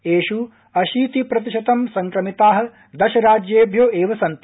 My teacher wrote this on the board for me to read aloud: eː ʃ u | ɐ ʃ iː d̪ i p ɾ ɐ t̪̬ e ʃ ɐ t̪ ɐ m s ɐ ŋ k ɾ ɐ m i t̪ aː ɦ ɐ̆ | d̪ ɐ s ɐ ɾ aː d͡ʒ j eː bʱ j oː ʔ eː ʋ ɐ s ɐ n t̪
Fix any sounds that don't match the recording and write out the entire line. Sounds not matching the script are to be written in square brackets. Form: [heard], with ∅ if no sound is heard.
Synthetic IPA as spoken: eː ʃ u | ɐ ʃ iː [t̪] i p ɾ ɐ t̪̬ [i] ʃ ɐ t̪ ɐ m s ɐ ŋ k ɾ ɐ m i t̪ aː ɦ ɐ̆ | d̪ ɐ [ʃ] ɐ ɾ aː d͡ʒ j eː bʱ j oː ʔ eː ʋ ɐ s ɐ n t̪